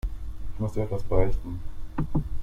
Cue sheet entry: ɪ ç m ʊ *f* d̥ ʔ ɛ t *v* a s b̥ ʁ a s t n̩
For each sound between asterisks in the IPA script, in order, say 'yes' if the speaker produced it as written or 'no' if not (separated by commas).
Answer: no, yes